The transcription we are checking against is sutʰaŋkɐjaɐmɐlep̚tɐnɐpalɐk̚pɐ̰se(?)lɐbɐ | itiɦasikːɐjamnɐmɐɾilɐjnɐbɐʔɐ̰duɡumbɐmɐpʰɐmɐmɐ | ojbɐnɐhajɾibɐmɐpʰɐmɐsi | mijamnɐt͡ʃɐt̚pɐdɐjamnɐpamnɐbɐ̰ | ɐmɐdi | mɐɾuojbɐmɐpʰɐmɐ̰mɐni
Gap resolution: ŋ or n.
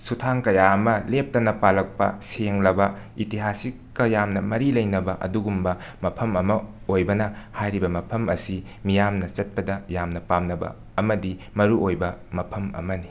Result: ŋ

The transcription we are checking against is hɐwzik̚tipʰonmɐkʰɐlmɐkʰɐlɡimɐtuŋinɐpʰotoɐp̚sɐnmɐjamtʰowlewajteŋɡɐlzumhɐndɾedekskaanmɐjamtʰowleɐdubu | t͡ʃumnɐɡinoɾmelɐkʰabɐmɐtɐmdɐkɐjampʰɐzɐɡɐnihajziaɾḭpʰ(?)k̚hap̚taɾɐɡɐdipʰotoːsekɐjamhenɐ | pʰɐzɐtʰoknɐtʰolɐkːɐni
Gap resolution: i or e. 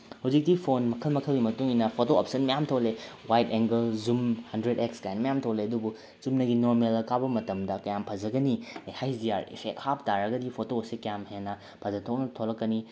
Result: e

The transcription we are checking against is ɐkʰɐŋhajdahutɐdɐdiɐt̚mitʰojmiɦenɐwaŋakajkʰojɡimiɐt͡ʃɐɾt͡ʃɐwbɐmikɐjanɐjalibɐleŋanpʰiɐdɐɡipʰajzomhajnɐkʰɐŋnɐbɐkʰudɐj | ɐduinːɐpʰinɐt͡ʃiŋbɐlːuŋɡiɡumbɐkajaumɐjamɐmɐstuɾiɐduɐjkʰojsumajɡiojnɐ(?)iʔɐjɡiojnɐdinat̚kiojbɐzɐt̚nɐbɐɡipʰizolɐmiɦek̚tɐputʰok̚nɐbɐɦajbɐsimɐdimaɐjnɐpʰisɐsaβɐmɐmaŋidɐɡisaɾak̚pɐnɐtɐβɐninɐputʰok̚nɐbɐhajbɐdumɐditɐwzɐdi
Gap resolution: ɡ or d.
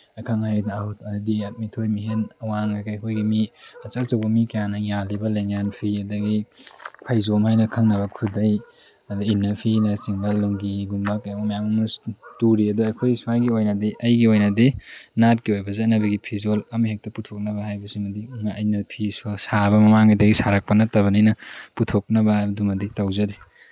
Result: d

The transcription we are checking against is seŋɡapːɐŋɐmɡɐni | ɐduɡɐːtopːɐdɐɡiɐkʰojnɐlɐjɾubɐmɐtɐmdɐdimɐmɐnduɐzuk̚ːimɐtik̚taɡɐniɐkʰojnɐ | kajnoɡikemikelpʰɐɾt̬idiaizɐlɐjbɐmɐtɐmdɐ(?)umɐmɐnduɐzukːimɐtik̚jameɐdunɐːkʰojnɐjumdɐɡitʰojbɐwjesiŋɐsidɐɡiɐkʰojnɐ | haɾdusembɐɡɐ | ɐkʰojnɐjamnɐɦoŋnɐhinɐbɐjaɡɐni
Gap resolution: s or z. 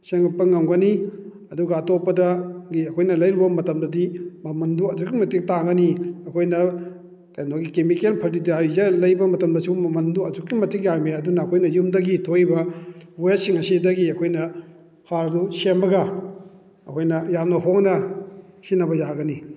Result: s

